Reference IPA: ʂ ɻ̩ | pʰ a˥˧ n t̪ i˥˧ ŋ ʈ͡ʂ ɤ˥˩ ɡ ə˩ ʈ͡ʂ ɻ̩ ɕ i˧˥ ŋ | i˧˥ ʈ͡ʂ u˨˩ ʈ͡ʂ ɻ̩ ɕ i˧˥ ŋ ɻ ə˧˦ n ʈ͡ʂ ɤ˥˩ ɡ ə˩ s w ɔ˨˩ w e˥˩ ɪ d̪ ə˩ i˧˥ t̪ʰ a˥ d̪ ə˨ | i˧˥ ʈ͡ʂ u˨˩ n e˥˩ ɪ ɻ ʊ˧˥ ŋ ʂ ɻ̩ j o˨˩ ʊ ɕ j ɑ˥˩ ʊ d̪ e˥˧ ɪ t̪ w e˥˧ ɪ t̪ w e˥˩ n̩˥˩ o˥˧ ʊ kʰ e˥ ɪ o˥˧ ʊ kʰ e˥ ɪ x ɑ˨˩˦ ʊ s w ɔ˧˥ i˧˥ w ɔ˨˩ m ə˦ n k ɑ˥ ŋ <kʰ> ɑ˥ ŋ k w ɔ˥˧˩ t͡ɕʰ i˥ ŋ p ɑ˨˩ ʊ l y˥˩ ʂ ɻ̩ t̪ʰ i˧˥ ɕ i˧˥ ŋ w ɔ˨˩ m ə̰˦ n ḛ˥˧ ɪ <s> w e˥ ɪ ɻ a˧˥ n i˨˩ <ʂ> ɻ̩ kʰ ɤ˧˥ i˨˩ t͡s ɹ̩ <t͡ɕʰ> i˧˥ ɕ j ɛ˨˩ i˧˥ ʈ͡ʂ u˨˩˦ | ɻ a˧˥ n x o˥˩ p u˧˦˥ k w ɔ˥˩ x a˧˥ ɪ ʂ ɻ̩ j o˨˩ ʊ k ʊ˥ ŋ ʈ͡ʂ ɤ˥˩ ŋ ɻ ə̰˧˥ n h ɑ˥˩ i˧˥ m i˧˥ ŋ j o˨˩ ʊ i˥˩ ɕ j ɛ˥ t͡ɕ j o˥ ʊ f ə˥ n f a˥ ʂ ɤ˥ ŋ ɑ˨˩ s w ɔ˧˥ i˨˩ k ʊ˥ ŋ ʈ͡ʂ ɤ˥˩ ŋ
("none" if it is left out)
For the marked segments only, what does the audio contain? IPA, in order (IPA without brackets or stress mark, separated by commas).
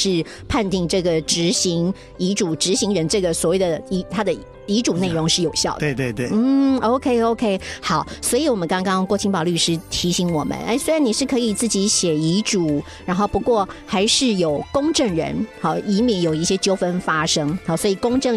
k, s, ʂ, t͡ɕ